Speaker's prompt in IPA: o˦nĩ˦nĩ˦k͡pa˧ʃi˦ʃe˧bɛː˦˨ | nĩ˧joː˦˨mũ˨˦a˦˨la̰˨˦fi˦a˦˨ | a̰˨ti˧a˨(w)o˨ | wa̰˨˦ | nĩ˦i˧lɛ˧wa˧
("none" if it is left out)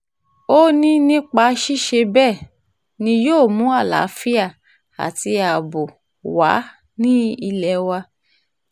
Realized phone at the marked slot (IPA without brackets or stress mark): b